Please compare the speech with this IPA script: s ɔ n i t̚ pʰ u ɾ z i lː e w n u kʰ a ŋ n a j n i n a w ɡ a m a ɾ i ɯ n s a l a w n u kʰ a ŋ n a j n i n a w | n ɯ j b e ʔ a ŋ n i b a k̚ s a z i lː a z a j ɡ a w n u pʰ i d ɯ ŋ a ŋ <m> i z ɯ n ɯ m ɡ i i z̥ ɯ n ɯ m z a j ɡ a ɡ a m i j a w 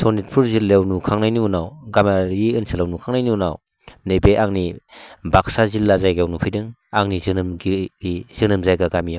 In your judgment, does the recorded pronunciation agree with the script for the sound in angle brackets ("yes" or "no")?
no